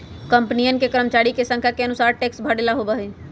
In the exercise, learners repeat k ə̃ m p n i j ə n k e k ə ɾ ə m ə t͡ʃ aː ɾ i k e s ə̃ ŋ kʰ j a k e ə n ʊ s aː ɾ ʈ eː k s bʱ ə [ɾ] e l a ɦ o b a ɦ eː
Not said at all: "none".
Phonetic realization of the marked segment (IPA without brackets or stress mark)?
ɽ